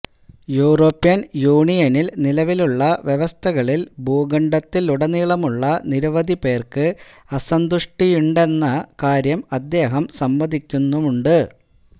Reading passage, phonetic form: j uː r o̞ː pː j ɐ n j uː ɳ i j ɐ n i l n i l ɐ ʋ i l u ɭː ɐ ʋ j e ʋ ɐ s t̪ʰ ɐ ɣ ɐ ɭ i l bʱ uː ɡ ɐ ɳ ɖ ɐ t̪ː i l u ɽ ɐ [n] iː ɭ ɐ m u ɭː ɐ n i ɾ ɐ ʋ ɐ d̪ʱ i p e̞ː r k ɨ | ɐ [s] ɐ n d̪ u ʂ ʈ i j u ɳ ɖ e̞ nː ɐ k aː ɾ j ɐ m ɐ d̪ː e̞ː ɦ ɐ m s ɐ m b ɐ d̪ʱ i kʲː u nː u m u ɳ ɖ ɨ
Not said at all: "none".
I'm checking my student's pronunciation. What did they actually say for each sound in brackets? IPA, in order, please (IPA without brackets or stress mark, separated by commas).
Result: n, s